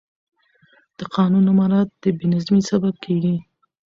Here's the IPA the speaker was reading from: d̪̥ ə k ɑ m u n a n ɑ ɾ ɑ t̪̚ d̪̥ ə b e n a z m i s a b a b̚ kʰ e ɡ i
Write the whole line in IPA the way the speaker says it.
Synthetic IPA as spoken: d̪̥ ə q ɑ n u n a m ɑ ɾ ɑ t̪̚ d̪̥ ə b e n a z m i s a b a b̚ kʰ e ɡ i